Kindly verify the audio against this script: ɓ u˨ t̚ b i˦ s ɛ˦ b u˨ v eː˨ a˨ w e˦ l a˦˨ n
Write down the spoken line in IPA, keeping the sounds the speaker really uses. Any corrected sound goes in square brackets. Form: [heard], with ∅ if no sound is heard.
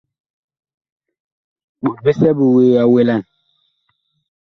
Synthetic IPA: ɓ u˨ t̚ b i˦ s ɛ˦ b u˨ [w] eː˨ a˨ w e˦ l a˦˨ n